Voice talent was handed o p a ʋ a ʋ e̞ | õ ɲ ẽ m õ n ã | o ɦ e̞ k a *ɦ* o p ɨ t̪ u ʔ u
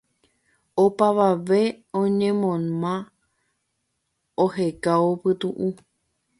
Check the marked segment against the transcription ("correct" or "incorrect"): incorrect